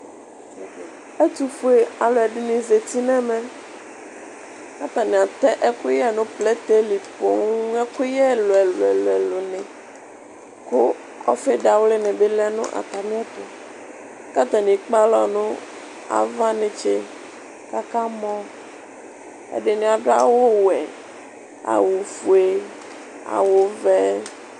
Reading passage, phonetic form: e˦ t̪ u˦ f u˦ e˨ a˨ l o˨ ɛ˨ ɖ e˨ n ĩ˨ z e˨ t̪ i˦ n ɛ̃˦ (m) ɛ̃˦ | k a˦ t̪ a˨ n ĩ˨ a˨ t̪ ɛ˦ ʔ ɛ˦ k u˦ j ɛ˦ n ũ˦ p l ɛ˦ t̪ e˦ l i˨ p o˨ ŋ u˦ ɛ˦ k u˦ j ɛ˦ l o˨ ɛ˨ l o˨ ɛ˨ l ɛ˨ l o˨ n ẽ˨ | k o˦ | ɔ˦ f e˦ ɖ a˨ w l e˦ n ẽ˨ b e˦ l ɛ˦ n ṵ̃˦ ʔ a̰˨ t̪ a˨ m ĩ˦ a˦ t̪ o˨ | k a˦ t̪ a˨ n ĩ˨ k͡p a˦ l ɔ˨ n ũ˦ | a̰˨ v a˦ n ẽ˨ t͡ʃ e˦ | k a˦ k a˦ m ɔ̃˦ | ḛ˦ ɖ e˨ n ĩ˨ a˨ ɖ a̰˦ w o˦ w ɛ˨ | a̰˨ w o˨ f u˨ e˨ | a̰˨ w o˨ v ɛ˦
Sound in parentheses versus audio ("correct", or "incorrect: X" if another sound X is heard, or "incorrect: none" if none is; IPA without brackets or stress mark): correct